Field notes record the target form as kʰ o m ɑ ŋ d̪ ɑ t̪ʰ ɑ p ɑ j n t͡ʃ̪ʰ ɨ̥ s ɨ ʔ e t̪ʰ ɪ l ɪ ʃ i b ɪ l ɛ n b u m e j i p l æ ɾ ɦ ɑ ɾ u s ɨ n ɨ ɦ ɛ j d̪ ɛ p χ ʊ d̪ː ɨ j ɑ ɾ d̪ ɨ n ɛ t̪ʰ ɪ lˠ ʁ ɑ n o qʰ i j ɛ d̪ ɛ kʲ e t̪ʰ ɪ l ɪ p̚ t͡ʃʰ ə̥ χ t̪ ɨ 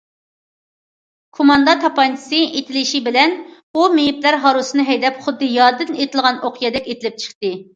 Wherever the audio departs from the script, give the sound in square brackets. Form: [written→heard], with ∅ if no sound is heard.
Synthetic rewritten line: kʰ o m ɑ [ŋ→n] d̪ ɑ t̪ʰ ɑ p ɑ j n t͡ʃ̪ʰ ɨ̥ s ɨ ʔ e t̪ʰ ɪ l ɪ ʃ i b ɪ l ɛ n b u m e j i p l æ ɾ ɦ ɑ ɾ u s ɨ n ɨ ɦ ɛ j d̪ ɛ p χ ʊ d̪ː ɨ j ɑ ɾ d̪ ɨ n [ɛ→e] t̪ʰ ɪ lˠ ʁ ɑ n o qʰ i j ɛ d̪ ɛ kʲ e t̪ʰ ɪ l ɪ p̚ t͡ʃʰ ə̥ χ t̪ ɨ